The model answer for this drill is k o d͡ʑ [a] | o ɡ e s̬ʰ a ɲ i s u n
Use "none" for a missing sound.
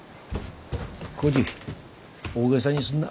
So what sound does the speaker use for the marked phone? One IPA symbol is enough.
i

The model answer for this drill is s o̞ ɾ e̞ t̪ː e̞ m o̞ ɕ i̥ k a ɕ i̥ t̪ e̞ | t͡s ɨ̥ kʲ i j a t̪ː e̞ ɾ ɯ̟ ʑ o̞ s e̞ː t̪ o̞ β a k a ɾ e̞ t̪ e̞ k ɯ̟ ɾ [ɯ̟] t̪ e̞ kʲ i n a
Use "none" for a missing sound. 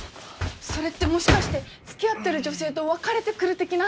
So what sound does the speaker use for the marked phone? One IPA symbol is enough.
ɯ̟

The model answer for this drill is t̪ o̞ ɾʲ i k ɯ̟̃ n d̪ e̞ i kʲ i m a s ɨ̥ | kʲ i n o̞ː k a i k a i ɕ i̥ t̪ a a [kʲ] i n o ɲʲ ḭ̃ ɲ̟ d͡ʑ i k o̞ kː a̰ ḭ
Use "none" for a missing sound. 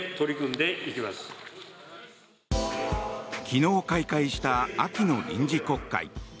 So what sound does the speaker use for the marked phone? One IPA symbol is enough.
kʲ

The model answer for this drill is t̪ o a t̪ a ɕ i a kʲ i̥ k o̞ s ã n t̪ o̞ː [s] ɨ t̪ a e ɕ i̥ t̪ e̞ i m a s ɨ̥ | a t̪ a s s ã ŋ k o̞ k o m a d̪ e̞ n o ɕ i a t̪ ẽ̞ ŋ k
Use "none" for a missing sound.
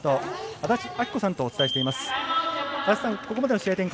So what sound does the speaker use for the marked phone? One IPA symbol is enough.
t͡s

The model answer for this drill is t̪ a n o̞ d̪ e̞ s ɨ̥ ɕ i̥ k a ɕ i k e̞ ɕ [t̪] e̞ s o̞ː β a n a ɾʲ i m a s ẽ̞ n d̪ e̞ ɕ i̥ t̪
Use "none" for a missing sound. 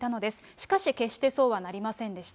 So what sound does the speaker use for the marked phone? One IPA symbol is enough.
t̪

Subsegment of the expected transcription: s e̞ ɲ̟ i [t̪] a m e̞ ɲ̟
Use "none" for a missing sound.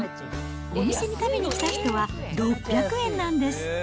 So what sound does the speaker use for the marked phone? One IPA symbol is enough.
t̪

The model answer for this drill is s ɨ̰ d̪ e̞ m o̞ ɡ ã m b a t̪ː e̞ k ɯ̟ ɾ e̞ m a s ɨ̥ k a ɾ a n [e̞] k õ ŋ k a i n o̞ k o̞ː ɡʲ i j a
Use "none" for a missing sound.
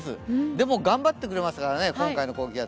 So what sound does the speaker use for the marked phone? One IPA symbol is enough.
e̞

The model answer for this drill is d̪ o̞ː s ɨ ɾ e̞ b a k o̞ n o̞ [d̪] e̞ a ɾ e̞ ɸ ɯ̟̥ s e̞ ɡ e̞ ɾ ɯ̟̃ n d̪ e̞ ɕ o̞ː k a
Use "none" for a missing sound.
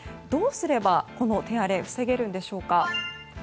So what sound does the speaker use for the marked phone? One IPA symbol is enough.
t̪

